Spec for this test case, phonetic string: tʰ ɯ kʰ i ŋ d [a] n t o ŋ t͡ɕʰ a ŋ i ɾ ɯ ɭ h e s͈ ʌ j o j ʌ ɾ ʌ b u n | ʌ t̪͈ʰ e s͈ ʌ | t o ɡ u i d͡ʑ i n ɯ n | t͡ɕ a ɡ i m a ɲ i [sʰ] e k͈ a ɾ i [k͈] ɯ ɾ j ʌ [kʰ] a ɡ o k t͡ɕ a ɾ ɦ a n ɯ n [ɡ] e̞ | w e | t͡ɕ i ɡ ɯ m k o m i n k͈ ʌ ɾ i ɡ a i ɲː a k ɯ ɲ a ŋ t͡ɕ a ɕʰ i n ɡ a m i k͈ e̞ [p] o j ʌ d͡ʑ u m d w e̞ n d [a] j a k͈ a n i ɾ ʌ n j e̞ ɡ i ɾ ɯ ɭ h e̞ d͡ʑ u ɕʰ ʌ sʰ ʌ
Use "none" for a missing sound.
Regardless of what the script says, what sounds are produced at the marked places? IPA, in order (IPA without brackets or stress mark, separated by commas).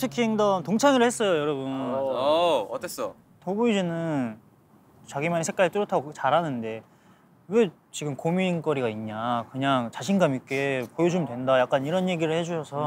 ʌ, sʰ, t͈, tʰ, d, p, a